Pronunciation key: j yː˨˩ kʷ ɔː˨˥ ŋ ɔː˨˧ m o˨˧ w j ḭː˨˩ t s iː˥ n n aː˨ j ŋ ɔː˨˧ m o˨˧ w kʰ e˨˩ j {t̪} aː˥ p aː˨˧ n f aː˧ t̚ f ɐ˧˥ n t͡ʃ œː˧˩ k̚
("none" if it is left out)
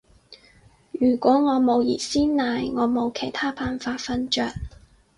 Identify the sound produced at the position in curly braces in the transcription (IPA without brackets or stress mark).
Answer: t̪ʰ